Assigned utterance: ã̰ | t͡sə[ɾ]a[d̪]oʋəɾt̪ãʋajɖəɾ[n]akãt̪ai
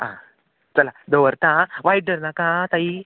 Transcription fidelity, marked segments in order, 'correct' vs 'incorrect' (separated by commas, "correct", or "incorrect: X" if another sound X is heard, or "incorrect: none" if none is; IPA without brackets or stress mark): incorrect: l, correct, correct